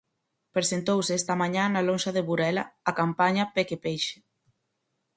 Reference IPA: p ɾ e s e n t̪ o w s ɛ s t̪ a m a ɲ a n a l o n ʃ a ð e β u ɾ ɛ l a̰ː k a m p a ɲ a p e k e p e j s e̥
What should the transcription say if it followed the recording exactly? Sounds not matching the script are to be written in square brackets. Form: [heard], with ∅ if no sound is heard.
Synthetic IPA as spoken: p ɾ e s e n t̪ o w s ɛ s t̪ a m a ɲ a n a l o n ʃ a ð e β u ɾ ɛ l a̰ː k a m p a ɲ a p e k e p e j [ʃ] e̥